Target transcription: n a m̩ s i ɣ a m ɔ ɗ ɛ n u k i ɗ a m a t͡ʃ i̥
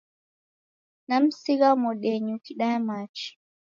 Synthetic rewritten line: n a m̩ s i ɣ a m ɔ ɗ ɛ ɲ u k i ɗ a m a t͡ʃ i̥